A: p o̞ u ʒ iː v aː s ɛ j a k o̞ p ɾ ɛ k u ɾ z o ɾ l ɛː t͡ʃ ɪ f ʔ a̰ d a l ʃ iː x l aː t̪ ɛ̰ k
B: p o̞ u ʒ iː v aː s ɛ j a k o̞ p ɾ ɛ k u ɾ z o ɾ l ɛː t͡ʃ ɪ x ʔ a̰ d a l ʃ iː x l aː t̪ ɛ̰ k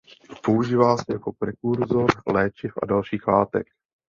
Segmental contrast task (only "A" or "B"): A